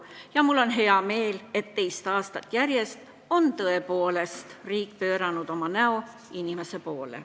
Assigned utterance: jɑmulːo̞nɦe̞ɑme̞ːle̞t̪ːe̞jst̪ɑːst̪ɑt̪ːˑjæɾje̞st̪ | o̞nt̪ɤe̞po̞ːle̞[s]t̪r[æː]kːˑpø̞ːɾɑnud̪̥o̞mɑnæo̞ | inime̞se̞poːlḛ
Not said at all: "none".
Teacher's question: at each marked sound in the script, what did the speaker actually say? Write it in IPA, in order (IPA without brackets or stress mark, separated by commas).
s, iː